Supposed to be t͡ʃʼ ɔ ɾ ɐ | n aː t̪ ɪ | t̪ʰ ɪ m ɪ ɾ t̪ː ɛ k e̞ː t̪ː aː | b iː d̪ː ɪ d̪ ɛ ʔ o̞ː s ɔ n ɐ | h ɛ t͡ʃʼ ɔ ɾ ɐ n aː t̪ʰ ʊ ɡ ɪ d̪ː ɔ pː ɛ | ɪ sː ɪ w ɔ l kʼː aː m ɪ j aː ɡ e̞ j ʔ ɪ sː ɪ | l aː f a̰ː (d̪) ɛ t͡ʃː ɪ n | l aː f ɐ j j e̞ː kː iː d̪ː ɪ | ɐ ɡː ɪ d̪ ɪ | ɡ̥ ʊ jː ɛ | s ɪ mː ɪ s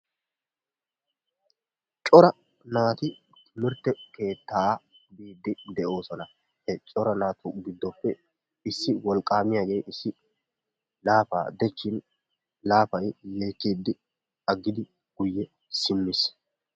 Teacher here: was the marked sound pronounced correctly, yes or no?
yes